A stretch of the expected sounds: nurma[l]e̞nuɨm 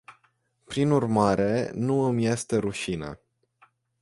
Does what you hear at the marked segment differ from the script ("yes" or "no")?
yes